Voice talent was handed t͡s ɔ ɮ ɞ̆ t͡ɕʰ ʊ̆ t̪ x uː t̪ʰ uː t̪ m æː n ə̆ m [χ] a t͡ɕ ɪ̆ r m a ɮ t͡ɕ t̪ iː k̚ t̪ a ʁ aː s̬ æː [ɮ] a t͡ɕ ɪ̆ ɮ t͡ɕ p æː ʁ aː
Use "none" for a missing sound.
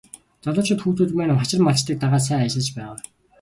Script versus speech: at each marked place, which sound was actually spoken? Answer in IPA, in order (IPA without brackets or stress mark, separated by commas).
χ, none